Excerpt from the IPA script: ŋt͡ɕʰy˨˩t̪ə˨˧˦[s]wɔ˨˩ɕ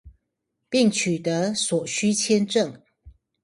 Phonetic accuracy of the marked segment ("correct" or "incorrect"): correct